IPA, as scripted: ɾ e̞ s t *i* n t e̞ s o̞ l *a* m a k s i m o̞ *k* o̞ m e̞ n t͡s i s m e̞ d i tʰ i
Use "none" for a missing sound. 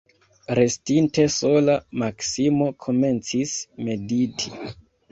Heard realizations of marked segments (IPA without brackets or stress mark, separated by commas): i, a, kʰ